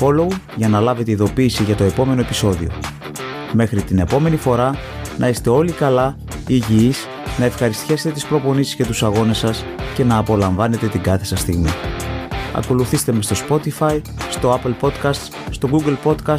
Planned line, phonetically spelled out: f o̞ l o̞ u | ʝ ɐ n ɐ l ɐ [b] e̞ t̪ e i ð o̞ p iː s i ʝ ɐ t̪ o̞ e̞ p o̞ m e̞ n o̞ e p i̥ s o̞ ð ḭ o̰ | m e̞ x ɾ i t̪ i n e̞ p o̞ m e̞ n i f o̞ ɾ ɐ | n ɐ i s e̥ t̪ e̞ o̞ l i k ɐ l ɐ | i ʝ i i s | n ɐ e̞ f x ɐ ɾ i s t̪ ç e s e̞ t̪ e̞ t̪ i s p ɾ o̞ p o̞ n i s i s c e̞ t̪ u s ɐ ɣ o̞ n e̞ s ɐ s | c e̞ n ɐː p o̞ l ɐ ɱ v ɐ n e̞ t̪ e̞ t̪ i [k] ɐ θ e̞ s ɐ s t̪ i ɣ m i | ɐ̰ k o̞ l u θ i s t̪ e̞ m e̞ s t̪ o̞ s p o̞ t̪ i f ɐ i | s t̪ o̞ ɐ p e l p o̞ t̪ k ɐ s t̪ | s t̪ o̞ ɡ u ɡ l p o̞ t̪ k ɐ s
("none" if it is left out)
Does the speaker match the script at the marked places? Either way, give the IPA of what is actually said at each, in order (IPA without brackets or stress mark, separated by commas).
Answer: v, ɡ